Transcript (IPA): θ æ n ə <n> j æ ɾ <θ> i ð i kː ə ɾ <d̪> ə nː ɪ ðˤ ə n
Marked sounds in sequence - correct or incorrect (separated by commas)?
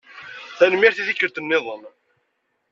incorrect, correct, incorrect